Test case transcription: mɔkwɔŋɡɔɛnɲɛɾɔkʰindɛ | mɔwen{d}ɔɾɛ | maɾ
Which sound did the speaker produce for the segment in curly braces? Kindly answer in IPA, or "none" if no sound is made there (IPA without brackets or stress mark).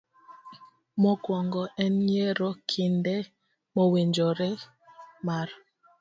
d͡ʒ